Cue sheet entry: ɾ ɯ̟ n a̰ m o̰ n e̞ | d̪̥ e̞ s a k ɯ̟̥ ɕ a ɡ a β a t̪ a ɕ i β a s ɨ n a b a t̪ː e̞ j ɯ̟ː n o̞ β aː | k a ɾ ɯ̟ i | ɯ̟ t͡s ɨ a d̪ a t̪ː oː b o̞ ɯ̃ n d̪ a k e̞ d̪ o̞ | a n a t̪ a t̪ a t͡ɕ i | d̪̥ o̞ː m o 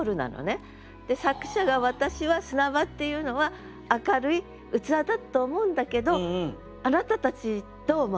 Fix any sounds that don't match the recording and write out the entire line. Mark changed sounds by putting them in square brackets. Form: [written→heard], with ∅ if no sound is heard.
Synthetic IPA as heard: ɾ ɯ̟ n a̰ [m→n] o̰ n e̞ | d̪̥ e̞ s a k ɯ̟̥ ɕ a ɡ a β a t̪ a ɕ i β a s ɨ n a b a t̪ː e̞ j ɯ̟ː n o̞ β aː | k a ɾ ɯ̟ i | ɯ̟ t͡s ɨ a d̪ a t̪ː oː [b→m] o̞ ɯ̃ n d̪ a k e̞ d̪ o̞ | a n a t̪ a t̪ a t͡ɕ i | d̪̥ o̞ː m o